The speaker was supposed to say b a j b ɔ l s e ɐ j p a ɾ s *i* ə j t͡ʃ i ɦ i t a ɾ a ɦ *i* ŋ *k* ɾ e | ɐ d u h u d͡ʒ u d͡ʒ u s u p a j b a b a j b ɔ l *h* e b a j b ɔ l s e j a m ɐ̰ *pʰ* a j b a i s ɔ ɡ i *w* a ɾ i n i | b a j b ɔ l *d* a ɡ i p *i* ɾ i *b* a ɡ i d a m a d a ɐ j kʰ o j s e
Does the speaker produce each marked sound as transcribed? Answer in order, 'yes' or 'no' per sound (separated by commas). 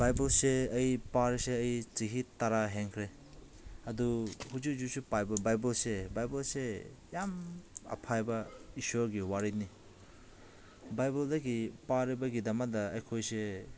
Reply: no, no, no, no, yes, yes, yes, no, yes